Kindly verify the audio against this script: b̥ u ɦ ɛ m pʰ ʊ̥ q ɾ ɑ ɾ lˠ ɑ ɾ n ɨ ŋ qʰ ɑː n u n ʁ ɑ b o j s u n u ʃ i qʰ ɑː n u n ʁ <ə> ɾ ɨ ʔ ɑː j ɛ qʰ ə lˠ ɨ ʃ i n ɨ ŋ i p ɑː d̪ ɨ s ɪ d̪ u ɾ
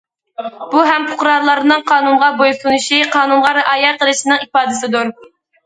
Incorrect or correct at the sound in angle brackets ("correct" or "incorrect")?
incorrect